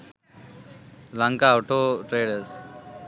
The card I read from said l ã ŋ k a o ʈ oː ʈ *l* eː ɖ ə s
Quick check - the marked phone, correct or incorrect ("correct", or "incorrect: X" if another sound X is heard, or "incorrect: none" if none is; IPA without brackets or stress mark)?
incorrect: ɾ